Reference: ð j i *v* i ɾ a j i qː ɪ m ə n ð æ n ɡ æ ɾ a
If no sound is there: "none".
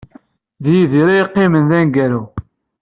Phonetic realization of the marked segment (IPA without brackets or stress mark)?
ð